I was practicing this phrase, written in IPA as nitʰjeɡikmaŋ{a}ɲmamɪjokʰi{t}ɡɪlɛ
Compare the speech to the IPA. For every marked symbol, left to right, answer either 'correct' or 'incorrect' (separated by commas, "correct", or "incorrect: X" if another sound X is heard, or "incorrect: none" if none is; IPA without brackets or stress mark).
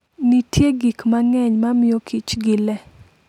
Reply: incorrect: ɛ, incorrect: t͡ʃ